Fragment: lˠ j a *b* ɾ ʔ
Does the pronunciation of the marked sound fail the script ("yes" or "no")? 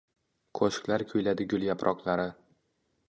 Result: yes